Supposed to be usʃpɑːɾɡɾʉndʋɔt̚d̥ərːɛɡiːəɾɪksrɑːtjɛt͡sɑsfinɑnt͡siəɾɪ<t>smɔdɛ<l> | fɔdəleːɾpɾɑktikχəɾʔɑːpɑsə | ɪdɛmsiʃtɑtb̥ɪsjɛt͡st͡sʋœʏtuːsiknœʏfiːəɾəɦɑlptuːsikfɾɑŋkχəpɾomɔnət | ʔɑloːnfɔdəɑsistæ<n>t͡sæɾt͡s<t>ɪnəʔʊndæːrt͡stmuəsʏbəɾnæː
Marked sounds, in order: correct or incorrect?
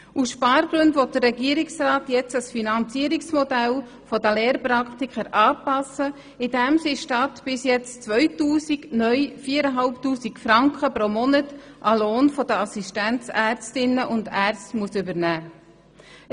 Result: incorrect: k, correct, correct, correct

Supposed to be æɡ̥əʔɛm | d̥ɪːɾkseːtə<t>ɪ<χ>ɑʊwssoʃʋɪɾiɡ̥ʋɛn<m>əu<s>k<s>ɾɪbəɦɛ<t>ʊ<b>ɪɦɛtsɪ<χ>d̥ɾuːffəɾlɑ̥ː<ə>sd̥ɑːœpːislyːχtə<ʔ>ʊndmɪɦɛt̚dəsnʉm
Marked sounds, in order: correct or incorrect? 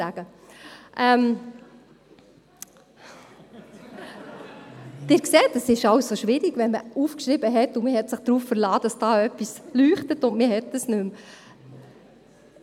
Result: incorrect: s, incorrect: ʃ, correct, incorrect: f, incorrect: ʃ, correct, incorrect: m, correct, incorrect: ɑ, incorrect: t

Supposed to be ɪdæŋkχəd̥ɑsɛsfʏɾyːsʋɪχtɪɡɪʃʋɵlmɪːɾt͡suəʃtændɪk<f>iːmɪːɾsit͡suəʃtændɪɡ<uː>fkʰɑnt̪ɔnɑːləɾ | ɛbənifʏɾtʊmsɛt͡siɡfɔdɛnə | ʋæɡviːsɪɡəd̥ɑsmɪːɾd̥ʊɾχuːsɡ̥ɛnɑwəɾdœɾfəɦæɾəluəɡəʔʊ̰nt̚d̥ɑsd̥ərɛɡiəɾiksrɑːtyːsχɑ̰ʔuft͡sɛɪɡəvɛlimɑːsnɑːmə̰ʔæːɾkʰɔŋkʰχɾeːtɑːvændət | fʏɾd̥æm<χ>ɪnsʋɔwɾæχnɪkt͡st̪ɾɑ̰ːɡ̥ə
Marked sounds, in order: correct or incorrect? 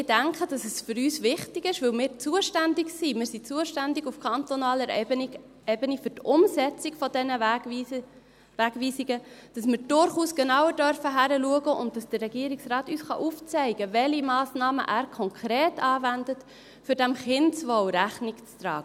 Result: incorrect: s, incorrect: u, correct

